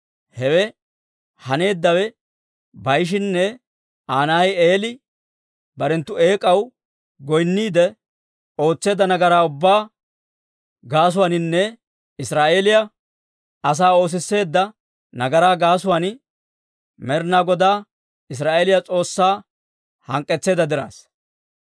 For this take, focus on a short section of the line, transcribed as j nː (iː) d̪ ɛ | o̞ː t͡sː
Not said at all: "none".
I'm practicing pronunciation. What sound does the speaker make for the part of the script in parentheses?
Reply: iː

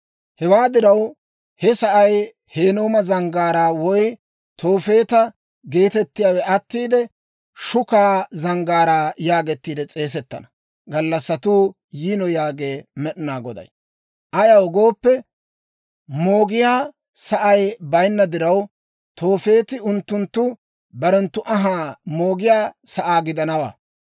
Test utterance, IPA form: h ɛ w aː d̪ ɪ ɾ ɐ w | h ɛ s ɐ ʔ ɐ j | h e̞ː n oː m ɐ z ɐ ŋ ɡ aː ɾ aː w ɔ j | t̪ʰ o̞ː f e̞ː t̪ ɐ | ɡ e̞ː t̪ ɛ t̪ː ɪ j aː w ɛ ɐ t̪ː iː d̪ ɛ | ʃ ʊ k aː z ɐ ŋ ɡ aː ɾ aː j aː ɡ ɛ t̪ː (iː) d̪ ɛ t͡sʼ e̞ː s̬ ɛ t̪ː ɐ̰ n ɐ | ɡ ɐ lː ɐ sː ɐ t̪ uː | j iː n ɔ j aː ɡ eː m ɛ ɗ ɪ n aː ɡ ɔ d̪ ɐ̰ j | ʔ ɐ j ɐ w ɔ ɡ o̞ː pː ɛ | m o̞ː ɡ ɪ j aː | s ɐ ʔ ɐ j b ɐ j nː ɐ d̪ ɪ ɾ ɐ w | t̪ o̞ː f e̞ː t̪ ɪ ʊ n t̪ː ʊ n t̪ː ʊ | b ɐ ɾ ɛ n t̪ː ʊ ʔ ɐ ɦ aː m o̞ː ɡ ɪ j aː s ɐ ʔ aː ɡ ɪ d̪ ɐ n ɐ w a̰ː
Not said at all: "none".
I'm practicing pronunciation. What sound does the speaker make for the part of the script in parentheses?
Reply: iː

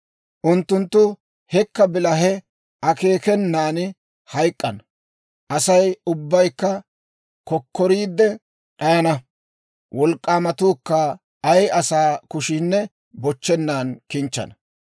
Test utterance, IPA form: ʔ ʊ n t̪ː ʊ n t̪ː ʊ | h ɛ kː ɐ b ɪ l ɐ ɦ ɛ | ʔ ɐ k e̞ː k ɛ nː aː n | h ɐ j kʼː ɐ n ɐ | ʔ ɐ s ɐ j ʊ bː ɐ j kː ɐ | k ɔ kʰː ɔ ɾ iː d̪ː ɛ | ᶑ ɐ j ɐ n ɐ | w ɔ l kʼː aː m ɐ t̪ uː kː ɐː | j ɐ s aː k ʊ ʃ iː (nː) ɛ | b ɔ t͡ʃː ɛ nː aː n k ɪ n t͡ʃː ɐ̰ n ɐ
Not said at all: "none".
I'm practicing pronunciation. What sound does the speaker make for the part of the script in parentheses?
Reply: nː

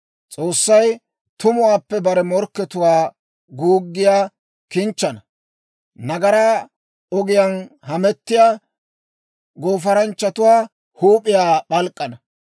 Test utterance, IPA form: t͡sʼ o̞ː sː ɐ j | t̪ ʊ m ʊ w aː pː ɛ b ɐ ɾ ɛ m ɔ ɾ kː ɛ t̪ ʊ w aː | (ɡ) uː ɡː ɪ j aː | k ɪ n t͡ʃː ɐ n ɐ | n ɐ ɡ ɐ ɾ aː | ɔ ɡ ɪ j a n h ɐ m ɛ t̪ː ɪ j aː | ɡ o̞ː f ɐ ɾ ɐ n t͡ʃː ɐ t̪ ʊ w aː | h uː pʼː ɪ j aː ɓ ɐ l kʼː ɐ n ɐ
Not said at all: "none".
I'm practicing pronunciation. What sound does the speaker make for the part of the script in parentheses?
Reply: ɡ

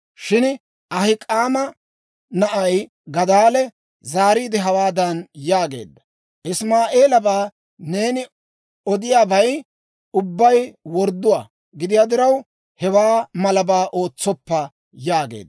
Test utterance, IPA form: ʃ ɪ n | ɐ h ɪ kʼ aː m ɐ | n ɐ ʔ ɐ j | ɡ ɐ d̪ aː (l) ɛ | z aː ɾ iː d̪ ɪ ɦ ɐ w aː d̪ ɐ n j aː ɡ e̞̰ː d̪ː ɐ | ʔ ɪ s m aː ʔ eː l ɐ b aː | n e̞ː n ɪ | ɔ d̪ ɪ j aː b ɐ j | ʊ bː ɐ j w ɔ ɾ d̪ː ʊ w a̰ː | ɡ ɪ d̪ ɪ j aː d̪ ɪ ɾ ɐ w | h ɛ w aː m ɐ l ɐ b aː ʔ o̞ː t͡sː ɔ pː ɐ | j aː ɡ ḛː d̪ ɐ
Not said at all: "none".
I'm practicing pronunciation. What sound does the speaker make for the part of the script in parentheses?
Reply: l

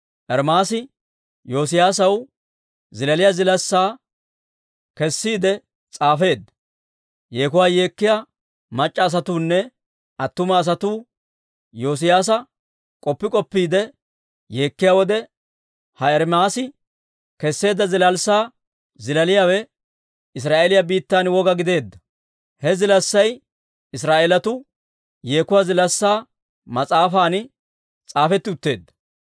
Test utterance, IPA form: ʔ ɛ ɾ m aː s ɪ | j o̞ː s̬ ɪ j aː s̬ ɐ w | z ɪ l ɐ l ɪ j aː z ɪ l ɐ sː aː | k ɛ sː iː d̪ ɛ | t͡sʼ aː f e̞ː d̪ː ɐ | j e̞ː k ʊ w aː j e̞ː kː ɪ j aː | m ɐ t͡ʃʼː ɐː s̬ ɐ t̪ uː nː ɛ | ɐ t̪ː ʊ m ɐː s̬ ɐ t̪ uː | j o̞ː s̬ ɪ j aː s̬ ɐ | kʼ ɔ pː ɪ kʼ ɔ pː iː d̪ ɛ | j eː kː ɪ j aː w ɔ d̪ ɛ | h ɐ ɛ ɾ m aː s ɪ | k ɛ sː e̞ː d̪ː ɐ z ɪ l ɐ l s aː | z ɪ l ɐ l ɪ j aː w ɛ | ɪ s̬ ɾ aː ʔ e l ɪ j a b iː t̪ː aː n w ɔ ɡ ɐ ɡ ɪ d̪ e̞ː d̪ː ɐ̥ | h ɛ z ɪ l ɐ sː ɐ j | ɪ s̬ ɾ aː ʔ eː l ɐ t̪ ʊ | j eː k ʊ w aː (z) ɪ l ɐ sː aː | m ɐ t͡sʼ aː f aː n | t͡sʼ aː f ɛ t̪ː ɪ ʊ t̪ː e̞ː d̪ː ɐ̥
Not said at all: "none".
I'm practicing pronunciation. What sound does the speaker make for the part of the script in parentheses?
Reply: z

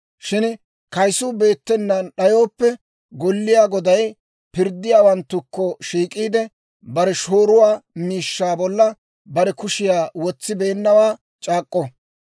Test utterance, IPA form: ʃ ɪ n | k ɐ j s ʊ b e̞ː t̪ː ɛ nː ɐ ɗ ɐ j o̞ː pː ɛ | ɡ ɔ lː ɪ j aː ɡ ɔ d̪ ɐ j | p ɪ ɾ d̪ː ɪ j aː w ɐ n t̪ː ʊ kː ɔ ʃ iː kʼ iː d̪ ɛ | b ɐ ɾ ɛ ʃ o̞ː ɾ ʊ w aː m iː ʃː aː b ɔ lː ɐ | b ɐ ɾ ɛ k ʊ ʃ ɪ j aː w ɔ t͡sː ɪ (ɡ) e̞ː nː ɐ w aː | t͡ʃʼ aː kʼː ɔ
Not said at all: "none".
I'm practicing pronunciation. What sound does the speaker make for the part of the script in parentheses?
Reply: b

